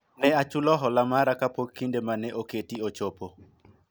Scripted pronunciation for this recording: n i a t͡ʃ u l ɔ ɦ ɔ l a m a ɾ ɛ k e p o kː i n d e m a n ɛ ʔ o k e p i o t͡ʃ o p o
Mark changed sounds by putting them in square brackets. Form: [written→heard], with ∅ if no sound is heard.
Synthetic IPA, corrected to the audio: n [i→ɛ] a t͡ʃ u l ɔ ɦ ɔ l a m a ɾ [ɛ→a] k [e→a] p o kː i n d e m a n ɛ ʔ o k e [p→t] i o t͡ʃ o p o